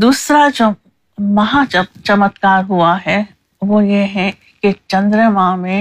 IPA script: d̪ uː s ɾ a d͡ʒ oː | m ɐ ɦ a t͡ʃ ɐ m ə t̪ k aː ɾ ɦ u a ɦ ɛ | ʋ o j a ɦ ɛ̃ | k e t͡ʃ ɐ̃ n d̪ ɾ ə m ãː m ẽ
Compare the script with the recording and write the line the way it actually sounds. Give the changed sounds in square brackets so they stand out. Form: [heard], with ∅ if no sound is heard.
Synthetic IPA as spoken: d̪ uː s ɾ a d͡ʒ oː | m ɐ ɦ a t͡ʃ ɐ m ə t̪ k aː ɾ ɦ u a ɦ ɛ | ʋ o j [e] ɦ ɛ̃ | k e t͡ʃ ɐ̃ n d̪ ɾ ə m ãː m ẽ